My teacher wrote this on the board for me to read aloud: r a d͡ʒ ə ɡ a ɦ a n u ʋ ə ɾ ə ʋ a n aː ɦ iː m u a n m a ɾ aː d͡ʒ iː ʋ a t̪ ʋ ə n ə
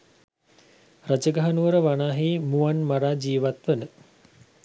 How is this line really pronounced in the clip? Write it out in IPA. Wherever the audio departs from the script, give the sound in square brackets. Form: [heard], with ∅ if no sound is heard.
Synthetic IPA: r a d͡ʒ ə ɡ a ɦ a n u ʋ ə ɾ ə ʋ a n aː ɦ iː m u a n m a ɾ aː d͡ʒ iː ʋ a t̪ ʋ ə n ə